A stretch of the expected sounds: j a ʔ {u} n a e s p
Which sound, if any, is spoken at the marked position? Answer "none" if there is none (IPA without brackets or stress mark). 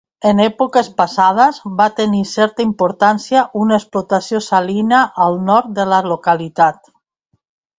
u